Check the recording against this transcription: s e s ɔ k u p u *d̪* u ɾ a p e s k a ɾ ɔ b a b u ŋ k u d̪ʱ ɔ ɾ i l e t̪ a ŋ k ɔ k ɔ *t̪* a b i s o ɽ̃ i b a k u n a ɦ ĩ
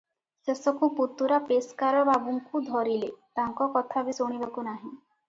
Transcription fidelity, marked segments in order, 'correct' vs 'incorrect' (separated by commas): incorrect, incorrect